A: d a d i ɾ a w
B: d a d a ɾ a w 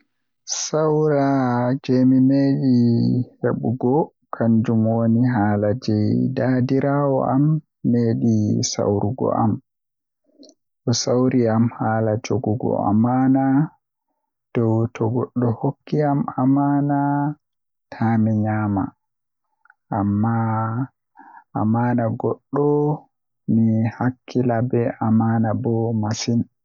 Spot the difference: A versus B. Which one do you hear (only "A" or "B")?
A